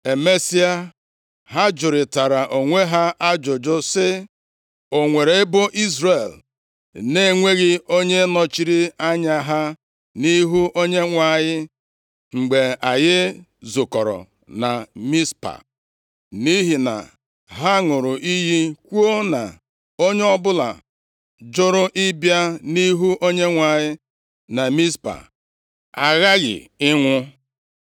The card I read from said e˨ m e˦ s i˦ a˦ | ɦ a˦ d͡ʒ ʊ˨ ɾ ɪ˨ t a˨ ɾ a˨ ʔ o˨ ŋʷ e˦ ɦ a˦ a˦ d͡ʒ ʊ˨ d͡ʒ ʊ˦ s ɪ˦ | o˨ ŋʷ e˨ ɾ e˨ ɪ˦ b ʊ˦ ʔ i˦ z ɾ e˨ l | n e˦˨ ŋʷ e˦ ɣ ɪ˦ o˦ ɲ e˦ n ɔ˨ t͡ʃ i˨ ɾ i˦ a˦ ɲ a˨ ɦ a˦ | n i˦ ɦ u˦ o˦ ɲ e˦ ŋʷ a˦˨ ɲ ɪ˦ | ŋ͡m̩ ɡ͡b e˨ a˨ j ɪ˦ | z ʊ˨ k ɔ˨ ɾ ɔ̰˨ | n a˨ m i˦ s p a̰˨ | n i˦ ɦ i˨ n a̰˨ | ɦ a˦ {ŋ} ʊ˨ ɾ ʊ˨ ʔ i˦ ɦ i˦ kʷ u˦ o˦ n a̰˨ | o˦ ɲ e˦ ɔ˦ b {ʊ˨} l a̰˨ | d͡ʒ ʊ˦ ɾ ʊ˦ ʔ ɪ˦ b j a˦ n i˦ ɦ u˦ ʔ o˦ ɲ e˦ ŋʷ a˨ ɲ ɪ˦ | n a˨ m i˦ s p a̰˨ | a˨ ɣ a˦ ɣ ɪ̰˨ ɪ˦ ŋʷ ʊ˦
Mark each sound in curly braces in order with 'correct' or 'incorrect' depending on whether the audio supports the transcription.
correct, incorrect: ʊ˦

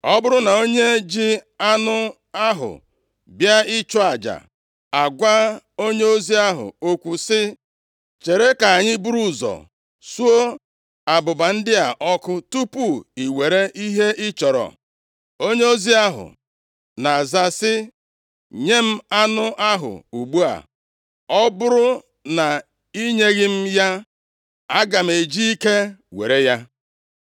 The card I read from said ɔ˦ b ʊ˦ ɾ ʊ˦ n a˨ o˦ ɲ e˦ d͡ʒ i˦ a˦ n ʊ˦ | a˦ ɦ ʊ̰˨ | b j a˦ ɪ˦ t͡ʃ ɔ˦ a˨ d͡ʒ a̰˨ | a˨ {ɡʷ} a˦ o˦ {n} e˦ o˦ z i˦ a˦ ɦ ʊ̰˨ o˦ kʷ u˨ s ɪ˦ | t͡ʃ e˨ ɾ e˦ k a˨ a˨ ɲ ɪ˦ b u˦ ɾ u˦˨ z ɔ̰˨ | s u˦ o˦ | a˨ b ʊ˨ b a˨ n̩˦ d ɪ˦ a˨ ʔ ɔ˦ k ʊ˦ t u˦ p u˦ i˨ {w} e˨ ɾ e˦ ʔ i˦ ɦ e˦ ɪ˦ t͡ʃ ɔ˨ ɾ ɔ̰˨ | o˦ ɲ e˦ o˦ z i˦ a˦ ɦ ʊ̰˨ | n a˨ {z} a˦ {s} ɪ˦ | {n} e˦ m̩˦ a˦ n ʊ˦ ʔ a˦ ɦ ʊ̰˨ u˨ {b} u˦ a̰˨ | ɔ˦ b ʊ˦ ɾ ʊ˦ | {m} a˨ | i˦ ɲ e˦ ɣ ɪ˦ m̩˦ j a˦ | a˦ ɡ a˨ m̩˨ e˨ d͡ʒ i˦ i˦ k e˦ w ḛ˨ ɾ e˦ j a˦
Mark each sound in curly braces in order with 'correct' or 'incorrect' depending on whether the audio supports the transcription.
correct, incorrect: ɲ, correct, correct, correct, incorrect: ɲ, incorrect: ɡ͡b, incorrect: n

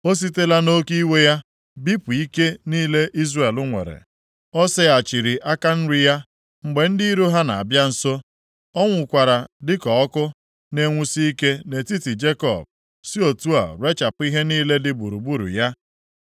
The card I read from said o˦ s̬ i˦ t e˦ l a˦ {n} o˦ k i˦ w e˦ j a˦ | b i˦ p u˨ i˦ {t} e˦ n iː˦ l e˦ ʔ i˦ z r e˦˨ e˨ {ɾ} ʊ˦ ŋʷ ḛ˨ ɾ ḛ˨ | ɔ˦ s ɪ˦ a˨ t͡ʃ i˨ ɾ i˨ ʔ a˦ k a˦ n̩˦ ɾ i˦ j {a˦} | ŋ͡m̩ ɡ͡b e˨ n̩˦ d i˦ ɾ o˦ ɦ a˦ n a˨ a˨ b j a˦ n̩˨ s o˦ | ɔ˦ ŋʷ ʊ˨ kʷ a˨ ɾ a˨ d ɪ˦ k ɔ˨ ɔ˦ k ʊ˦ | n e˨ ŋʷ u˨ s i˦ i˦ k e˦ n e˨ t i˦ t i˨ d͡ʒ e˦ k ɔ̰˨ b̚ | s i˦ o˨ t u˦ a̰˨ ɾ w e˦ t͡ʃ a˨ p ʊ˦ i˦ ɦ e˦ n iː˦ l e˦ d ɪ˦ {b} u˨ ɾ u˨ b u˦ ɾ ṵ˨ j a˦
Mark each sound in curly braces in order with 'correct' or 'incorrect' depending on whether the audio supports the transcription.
correct, incorrect: k, incorrect: l, correct, correct

